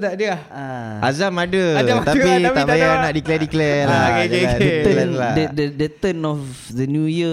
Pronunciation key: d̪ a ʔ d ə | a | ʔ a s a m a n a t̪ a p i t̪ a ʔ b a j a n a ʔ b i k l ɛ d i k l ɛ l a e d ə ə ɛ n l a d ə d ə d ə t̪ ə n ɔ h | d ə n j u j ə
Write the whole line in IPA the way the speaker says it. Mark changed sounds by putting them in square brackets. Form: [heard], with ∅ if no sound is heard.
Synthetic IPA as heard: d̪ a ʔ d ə | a | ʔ a [z] a m a [d] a t̪ a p i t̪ a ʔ b a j a n a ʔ [d] i k l ɛ d i k l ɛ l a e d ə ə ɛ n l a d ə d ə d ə t̪ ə n ɔ [f] | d ə n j u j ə